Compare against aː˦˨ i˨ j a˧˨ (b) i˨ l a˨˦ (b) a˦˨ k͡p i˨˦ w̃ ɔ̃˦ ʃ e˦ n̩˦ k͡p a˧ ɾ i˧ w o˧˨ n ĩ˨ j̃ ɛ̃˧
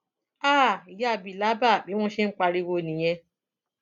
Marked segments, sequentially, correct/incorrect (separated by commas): correct, correct